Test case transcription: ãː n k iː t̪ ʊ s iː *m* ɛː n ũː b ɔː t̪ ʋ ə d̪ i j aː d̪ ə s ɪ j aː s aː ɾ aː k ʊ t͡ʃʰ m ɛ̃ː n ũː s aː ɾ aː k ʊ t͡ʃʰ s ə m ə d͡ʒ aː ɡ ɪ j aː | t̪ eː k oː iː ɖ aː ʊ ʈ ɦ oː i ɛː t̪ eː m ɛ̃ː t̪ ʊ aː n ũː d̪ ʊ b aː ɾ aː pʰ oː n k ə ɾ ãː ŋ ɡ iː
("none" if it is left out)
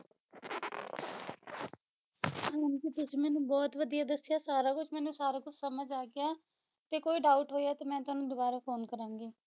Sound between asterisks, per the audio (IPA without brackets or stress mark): m